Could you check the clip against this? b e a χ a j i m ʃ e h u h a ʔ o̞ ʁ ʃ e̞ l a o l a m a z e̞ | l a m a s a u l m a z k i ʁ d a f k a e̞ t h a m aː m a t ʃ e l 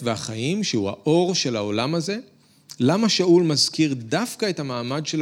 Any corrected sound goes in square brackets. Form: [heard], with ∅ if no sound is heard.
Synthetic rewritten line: [v] e a χ a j i m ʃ e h u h a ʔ o̞ ʁ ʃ e̞ l a o l a m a z e̞ | l a m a [ʃ] a u l m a z k i ʁ d a f k a e̞ t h a m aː m a [d] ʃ e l